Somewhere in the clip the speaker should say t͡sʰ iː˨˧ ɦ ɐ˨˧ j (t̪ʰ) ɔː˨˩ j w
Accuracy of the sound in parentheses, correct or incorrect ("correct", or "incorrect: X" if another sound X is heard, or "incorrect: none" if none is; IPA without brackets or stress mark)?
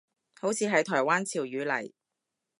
correct